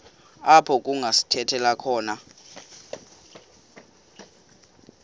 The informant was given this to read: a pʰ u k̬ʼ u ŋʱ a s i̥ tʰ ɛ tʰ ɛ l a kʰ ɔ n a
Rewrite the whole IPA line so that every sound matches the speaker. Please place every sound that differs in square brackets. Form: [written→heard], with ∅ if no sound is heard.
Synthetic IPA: a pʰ [u→ɔ] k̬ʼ u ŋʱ a s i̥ tʰ ɛ tʰ ɛ l a kʰ [ɔ→ɔː] n a